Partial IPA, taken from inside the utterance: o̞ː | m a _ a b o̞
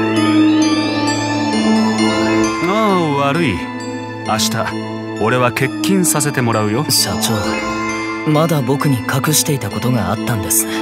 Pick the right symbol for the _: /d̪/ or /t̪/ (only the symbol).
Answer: d̪